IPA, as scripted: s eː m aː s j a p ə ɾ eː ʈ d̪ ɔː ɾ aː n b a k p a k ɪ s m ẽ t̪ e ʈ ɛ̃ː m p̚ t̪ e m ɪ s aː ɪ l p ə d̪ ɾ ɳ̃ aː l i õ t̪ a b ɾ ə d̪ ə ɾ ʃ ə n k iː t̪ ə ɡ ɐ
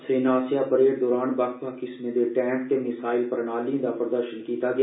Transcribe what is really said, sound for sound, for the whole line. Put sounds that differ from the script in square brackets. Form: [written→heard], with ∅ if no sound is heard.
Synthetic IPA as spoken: s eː [m→n] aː s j a p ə ɾ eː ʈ d̪ ɔː ɾ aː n b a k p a k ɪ s m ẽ [t̪→d̪] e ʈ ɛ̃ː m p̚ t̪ e m ɪ s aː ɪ l p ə [d̪→∅] ɾ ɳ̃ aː l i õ [t̪→d̪] a [b→p] ɾ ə d̪ ə ɾ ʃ ə n k iː t̪ [ə→a] ɡ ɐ